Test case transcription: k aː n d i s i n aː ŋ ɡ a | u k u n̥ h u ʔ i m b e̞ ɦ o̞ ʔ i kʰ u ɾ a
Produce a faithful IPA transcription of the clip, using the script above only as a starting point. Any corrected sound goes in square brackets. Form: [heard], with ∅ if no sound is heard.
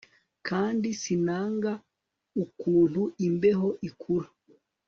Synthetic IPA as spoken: k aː n d i s i n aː ŋ ɡ a | u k [uː] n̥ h u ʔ i m b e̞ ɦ o̞ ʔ i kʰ u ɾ a